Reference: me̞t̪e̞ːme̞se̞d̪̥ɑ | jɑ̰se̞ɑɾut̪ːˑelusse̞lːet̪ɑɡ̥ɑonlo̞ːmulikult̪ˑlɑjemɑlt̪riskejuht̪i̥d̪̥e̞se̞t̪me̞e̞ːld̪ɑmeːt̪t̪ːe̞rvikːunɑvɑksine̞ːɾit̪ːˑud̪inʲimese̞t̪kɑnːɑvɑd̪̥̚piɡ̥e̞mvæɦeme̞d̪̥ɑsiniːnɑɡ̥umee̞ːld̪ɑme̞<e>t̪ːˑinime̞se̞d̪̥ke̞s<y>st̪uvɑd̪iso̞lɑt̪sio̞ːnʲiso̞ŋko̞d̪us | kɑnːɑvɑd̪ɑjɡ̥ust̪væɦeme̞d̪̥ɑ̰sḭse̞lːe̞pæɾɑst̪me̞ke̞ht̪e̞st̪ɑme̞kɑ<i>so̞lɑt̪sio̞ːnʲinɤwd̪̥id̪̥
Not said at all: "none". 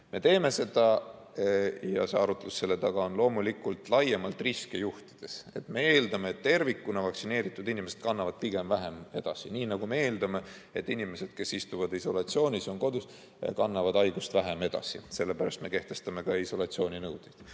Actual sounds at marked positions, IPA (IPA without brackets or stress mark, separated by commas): e, i, i